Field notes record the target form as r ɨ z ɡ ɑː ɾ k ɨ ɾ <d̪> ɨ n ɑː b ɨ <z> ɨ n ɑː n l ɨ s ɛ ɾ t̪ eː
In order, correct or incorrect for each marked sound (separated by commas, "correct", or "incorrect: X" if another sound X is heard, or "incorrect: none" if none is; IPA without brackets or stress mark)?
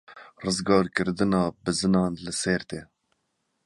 correct, correct